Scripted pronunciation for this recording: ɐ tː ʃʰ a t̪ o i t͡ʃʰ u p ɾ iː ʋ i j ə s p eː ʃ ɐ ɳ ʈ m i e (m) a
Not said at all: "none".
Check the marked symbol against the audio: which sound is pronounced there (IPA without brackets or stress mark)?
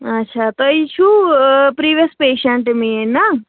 n